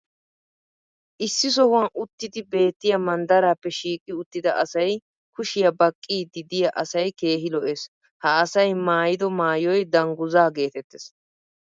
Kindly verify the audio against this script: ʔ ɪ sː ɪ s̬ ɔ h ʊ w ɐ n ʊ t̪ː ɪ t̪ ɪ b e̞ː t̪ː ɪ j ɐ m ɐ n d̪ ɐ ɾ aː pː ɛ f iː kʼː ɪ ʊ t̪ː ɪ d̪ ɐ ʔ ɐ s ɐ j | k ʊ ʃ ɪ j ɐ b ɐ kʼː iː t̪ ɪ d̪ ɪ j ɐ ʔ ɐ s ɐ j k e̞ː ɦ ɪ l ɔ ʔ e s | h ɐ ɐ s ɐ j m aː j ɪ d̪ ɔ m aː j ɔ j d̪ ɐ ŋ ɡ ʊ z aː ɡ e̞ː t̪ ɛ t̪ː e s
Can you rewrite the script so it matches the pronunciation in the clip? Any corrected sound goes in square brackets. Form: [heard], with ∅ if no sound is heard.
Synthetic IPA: ʔ ɪ sː ɪ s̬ ɔ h ʊ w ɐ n ʊ t̪ː ɪ [d̪] ɪ b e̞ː t̪ː ɪ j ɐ m ɐ n d̪ ɐ ɾ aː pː ɛ [ʃ] iː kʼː ɪ ʊ t̪ː ɪ d̪ ɐ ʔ ɐ s ɐ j | k ʊ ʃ ɪ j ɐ b ɐ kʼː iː [d̪] ɪ d̪ ɪ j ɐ ʔ ɐ s ɐ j k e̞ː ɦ ɪ l ɔ ʔ e s | h ɐ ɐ s ɐ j m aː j ɪ d̪ ɔ m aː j ɔ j d̪ ɐ ŋ ɡ ʊ z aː ɡ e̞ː t̪ ɛ t̪ː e s